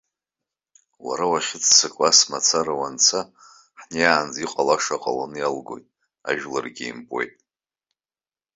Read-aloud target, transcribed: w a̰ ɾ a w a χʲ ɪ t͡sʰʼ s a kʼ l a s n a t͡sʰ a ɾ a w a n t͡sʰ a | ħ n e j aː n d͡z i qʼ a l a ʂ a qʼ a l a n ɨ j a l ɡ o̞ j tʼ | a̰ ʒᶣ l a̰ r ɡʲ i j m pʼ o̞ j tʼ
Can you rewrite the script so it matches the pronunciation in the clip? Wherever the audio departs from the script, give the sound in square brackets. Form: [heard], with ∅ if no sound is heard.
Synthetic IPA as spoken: w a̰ ɾ a w a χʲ ɪ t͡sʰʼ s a kʼ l a s [m] a t͡sʰ a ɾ a w a n t͡sʰ a | ħ n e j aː n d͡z i qʼ a l a ʂ a qʼ a l a n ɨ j a l ɡ o̞ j tʼ | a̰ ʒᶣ l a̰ r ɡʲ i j m pʼ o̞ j tʼ